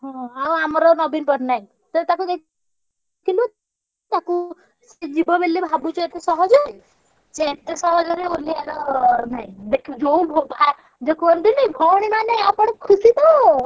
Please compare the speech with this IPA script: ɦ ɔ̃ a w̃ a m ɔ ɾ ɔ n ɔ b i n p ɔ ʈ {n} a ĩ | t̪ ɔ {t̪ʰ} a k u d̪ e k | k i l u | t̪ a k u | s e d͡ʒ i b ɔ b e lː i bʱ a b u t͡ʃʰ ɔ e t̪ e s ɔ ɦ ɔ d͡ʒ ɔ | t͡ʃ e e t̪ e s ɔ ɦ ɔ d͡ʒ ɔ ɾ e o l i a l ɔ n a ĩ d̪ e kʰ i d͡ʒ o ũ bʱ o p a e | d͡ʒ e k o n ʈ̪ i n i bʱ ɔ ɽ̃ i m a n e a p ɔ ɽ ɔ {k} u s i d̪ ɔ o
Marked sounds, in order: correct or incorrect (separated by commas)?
correct, incorrect, incorrect